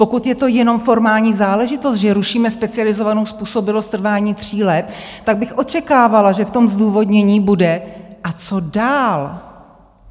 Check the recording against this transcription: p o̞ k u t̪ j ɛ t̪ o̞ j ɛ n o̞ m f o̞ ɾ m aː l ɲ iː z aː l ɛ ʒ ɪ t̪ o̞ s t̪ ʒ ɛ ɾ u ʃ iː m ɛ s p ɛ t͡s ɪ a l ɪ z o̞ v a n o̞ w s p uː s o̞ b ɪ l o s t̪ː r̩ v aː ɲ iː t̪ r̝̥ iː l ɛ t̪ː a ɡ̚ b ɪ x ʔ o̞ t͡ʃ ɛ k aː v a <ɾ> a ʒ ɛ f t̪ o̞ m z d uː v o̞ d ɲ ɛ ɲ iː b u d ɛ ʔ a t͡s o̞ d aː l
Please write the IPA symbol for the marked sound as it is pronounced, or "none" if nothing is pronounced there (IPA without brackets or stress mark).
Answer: l